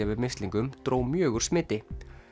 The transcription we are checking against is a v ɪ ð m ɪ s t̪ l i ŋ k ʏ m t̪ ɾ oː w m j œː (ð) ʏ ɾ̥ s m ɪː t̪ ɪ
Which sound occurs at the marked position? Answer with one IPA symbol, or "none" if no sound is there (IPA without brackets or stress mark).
ɣ